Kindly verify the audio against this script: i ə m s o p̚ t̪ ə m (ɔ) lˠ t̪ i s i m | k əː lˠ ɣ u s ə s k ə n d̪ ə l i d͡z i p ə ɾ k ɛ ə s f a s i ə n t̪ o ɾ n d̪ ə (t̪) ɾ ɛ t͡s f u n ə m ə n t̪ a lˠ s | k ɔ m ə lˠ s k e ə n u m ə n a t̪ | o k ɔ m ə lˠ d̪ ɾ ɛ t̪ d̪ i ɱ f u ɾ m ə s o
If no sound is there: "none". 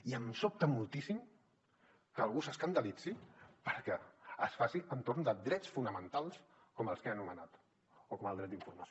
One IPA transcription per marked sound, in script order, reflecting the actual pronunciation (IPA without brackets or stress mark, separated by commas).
u, d̪